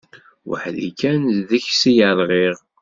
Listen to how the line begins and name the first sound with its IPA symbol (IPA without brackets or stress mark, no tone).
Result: w